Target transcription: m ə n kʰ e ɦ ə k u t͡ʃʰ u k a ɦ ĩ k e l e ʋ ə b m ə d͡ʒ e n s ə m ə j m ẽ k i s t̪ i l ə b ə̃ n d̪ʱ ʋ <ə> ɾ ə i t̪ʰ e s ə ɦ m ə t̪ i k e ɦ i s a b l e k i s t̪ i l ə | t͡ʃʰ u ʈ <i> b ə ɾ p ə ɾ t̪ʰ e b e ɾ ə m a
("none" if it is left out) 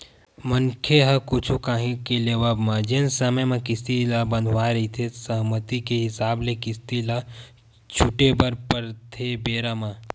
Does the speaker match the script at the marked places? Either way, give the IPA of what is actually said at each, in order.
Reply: a, e

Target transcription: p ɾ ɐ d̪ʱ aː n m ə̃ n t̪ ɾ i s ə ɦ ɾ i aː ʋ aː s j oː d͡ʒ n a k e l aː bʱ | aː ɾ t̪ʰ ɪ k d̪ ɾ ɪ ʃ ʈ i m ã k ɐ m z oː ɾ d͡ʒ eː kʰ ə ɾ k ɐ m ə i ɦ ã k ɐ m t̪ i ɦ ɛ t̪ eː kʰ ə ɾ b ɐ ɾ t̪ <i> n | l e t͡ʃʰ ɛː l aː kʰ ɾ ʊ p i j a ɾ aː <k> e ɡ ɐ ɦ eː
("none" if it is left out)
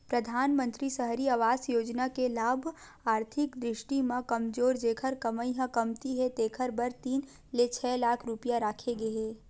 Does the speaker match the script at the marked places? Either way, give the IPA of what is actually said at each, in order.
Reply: iː, kʰ

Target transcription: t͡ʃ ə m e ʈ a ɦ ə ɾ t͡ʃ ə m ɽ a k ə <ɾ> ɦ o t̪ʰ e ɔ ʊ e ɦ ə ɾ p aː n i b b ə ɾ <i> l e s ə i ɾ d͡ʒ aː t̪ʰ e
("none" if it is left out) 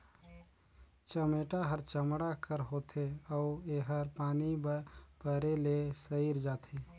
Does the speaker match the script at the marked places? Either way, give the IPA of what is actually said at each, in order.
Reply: ɾ, e

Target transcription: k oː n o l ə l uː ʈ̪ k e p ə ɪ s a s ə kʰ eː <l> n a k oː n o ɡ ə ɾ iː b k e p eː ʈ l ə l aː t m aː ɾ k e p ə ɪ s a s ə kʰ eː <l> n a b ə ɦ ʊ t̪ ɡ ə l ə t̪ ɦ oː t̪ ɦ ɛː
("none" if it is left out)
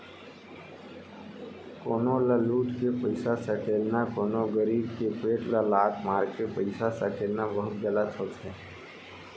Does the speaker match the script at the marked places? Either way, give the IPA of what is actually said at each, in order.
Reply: l, l

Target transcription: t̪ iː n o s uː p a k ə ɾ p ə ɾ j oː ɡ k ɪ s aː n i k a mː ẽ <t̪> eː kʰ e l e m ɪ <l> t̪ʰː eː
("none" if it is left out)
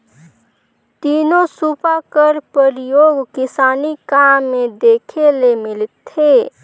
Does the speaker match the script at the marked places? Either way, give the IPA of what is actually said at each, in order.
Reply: d̪, l

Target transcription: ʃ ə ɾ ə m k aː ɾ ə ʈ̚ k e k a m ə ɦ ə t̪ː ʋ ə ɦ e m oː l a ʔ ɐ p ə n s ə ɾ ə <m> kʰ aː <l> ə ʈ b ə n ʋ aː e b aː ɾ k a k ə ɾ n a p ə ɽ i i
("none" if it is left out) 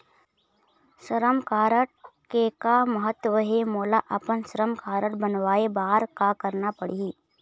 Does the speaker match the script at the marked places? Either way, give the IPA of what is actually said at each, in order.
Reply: m, ɾ

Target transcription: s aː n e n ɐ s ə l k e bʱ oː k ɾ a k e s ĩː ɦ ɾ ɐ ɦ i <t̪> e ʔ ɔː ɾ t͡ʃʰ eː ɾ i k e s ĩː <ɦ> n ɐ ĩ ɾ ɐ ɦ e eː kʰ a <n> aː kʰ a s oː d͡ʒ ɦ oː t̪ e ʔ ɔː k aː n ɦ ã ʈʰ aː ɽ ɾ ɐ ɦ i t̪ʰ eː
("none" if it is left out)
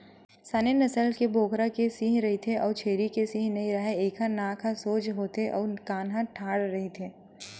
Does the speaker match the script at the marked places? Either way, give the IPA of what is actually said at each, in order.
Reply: t̪ʰ, ɦ, n

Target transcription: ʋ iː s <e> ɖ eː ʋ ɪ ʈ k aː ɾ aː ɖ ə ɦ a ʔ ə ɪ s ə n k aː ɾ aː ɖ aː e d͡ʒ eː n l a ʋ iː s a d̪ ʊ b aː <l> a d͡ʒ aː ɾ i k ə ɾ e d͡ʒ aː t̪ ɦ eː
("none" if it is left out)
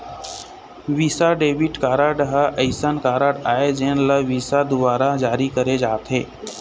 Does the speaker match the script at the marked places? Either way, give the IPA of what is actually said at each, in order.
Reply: a, ɾ

